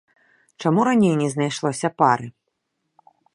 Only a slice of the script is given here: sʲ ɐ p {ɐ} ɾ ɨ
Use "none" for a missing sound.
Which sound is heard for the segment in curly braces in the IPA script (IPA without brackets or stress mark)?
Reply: a